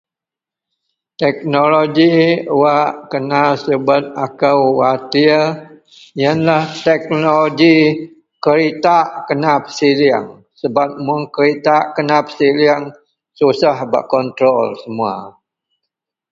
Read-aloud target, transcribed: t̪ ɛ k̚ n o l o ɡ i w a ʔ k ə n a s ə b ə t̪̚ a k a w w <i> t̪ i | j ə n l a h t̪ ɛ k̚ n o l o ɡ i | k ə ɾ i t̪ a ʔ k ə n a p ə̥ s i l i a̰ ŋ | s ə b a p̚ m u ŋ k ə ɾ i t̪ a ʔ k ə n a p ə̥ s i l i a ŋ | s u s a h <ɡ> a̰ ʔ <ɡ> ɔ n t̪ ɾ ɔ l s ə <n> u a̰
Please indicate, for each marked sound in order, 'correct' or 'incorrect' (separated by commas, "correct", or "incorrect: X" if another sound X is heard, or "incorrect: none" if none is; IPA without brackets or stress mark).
incorrect: a, incorrect: b, incorrect: k, incorrect: m